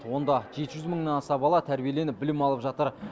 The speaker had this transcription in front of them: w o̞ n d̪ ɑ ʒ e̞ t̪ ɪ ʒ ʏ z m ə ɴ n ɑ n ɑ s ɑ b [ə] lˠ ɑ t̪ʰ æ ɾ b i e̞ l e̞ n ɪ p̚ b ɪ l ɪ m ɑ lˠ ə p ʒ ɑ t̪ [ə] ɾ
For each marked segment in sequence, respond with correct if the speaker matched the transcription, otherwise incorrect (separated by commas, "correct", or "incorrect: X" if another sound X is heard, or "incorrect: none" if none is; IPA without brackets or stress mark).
incorrect: ɑ, correct